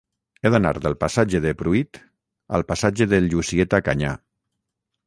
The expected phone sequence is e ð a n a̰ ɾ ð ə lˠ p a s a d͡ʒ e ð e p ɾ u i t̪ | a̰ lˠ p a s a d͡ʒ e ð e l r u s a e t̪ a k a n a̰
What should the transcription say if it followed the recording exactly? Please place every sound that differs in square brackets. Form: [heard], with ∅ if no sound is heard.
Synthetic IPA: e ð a n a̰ ɾ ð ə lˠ p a s a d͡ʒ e ð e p ɾ u i t̪ | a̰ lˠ p a s a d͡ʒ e ð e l [ʎ] u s [i] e t̪ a k a [ɲ] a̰